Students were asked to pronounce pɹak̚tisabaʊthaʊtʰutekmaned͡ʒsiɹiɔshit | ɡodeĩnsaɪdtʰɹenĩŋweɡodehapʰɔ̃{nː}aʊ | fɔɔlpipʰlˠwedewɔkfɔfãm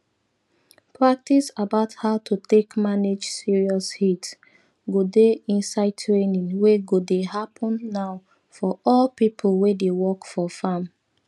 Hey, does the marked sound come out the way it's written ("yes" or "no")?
yes